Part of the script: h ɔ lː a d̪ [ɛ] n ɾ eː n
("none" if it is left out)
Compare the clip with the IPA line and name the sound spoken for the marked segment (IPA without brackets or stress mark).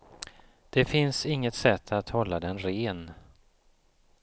ɛ